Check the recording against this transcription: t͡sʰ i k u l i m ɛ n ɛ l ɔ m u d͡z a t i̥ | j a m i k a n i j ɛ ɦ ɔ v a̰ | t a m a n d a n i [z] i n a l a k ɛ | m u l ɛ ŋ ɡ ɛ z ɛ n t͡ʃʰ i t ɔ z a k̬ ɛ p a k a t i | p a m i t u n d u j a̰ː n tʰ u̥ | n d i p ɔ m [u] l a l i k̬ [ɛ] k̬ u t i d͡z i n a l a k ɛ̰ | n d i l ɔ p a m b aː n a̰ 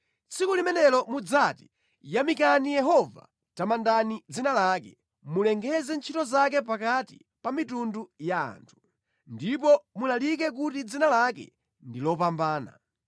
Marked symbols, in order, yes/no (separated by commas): no, yes, yes